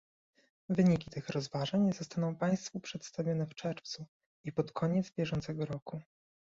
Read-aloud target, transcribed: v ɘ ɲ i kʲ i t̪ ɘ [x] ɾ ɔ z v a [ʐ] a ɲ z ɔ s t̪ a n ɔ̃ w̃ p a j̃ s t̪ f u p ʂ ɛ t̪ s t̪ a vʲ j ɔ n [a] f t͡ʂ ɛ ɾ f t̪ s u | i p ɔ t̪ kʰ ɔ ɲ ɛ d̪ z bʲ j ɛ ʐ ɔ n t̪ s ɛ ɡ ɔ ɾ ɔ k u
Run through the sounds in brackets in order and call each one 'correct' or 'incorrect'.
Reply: correct, correct, incorrect

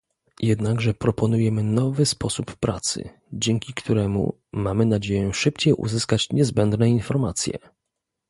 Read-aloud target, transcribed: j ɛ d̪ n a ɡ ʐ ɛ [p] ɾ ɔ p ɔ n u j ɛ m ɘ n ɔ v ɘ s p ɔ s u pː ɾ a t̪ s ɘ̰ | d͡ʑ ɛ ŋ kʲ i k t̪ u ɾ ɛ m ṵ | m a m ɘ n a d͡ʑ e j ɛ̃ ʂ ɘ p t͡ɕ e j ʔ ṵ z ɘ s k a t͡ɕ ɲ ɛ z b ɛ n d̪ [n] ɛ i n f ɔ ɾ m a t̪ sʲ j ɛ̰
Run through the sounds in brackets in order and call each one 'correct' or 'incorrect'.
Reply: correct, correct

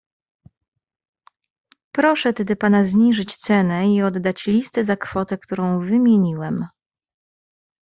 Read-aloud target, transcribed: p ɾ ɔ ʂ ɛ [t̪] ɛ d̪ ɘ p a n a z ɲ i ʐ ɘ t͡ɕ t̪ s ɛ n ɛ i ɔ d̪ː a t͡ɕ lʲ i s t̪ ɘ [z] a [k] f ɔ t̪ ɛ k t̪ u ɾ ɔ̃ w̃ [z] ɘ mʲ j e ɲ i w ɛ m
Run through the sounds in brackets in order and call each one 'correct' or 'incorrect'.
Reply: correct, correct, correct, incorrect

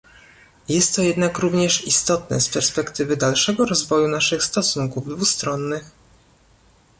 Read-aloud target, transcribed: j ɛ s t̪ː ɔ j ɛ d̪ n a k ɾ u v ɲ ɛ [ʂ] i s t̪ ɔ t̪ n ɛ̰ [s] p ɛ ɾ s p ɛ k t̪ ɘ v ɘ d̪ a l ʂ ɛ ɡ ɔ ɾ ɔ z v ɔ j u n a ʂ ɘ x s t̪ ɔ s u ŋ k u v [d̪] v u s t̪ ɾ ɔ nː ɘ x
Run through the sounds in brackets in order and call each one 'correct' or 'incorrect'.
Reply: correct, correct, correct

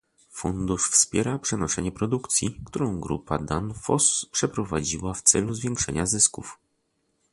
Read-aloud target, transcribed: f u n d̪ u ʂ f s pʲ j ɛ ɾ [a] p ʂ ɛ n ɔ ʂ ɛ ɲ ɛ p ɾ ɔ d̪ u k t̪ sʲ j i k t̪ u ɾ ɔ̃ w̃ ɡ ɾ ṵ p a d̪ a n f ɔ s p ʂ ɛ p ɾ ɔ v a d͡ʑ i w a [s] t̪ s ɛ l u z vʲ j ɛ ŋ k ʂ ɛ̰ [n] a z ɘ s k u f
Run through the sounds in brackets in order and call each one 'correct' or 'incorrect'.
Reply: correct, incorrect, incorrect

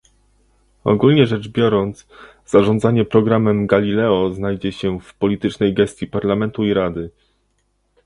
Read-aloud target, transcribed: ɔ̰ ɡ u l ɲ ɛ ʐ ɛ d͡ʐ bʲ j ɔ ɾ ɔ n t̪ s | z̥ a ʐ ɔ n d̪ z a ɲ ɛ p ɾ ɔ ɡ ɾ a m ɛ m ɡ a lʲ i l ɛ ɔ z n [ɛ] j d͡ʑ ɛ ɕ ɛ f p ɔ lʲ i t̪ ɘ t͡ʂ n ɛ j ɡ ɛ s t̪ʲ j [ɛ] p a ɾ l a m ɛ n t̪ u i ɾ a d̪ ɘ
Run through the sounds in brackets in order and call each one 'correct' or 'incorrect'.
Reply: incorrect, incorrect

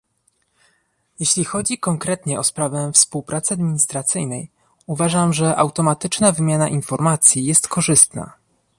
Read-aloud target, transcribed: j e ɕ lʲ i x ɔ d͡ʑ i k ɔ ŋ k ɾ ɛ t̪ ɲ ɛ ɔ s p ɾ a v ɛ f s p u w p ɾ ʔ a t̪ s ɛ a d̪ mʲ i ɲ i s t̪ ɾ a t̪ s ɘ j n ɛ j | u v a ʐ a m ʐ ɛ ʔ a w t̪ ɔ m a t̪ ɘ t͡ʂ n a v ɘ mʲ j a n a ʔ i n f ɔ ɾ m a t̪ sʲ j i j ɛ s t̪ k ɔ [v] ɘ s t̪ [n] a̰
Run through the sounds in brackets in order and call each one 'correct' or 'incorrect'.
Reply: incorrect, correct

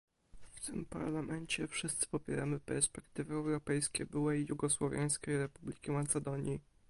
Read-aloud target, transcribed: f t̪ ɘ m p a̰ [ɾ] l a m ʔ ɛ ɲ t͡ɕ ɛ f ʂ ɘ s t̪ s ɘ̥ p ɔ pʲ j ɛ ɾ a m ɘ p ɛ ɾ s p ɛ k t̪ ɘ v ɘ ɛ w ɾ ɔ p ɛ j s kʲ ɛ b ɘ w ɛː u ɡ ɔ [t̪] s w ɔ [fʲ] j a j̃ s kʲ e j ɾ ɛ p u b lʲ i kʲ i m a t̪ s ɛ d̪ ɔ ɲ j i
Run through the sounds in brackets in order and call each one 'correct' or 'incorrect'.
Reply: correct, incorrect, incorrect

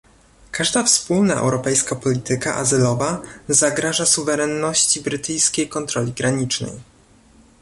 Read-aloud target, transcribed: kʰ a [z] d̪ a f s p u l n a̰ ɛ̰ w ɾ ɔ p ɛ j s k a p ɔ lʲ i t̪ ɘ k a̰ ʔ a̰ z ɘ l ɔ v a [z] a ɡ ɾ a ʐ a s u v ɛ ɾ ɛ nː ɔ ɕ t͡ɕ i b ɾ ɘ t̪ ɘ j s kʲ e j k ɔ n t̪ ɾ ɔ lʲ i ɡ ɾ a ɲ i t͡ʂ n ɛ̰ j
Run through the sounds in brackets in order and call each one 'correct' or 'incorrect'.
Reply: incorrect, correct

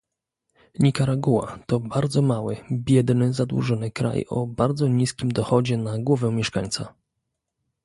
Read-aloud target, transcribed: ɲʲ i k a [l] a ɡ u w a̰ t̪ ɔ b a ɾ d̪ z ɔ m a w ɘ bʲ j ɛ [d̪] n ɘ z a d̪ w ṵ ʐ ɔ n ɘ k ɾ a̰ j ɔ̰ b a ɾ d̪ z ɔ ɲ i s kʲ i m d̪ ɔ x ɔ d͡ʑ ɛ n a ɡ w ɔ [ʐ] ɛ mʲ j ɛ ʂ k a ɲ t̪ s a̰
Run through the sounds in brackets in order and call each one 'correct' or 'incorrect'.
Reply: incorrect, correct, incorrect

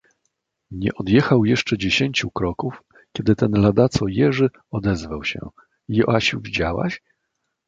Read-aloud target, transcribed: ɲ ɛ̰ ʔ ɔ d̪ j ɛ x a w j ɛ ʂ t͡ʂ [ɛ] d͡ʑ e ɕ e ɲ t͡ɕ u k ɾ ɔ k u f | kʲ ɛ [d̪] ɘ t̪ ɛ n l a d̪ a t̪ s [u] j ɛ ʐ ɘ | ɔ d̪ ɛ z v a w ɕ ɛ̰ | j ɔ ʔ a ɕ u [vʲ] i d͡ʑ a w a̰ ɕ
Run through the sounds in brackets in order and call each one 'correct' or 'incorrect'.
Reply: correct, correct, incorrect, correct

